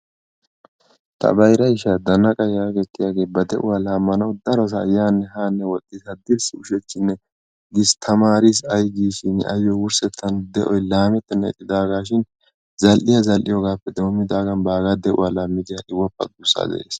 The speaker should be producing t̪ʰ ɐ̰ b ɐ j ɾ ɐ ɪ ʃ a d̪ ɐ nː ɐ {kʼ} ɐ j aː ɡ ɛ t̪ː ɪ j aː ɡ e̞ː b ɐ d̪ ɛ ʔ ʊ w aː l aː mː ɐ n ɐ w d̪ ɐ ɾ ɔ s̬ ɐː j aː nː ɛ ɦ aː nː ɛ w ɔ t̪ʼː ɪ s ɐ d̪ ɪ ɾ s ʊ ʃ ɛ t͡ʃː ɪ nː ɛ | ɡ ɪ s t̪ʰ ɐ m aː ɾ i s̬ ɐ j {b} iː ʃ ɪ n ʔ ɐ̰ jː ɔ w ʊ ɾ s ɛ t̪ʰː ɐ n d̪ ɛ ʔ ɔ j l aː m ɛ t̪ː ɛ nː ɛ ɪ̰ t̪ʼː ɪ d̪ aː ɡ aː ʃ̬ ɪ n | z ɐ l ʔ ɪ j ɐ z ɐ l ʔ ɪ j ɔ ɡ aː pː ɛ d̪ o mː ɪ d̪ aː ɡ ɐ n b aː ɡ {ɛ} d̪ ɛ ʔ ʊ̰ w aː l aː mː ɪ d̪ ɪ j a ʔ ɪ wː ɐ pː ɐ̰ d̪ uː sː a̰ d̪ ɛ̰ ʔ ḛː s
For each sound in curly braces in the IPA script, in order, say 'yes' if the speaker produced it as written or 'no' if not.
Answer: yes, no, no

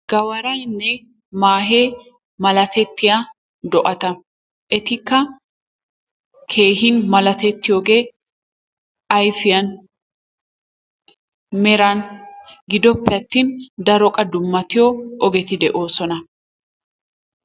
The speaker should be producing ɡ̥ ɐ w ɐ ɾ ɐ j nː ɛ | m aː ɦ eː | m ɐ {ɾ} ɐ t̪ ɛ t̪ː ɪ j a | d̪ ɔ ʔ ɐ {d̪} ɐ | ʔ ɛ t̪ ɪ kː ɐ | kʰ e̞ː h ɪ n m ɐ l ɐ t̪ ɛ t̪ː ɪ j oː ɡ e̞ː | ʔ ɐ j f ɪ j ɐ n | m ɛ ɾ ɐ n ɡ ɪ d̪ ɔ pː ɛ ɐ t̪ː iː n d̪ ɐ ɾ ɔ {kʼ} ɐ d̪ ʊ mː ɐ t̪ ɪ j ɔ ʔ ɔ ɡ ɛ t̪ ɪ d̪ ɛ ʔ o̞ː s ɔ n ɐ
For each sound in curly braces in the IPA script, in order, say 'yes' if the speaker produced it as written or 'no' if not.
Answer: no, no, yes

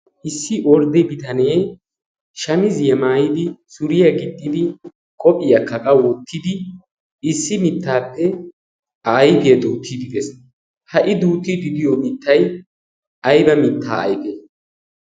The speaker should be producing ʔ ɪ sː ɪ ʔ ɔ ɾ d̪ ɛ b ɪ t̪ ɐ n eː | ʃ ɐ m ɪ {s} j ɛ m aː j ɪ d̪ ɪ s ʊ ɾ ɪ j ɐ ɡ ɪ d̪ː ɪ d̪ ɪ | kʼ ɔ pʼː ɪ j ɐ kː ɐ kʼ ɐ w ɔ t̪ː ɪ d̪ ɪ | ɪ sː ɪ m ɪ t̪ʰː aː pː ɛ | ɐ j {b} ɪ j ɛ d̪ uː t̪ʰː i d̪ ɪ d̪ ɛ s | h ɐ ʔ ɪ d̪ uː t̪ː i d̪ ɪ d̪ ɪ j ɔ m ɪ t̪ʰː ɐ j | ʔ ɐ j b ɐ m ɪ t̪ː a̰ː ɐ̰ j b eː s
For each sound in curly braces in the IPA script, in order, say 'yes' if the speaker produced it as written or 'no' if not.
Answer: no, yes

